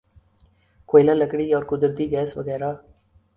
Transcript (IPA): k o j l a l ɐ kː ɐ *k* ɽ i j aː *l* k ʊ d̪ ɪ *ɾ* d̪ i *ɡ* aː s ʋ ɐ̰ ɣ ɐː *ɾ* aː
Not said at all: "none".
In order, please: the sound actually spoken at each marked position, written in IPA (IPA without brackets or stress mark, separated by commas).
none, ɾ, ɾ, ɡ, ɾ